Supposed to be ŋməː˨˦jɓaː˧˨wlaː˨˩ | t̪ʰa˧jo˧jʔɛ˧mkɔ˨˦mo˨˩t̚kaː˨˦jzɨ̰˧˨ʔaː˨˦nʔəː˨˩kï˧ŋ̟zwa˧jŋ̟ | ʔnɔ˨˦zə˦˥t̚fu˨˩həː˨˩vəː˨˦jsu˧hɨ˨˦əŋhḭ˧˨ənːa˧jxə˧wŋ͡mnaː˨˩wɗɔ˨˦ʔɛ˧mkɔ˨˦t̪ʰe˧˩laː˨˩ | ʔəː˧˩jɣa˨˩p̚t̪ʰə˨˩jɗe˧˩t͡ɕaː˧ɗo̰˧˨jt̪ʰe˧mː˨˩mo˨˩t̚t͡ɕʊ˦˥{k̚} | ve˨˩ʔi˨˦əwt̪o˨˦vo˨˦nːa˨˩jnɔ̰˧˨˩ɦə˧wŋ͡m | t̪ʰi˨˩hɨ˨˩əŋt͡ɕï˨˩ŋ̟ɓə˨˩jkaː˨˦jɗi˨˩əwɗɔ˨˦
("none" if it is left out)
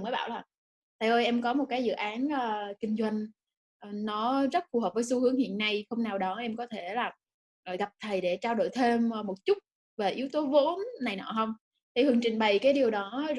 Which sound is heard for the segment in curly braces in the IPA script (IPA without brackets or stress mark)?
t̚